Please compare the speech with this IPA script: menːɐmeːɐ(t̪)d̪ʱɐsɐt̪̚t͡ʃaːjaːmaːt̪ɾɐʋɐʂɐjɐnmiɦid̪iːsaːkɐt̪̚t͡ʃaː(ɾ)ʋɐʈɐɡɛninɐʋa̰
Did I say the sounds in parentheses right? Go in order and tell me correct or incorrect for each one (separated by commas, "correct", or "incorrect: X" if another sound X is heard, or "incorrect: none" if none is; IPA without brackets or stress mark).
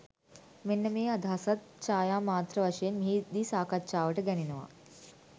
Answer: incorrect: none, incorrect: none